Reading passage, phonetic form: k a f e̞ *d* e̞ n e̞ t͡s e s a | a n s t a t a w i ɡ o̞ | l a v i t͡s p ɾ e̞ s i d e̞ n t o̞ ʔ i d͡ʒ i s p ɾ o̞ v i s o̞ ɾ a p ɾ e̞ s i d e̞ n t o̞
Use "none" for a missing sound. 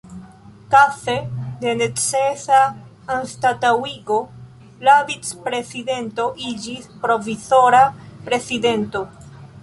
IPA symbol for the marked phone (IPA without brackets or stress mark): d